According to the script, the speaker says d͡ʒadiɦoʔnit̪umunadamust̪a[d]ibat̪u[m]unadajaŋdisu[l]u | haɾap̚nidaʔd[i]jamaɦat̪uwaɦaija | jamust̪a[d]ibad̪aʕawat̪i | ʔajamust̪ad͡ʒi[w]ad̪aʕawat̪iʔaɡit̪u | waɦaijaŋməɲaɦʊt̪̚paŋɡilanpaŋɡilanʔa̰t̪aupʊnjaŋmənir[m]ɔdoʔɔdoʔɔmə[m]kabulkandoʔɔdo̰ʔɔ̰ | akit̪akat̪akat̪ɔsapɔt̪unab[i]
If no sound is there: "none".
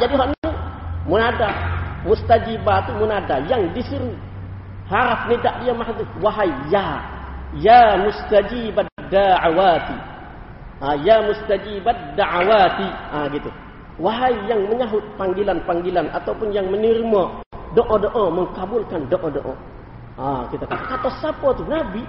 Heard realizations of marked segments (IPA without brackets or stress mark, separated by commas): d͡ʒ, m, ɾ, i, d͡ʒ, b, m, ŋ, i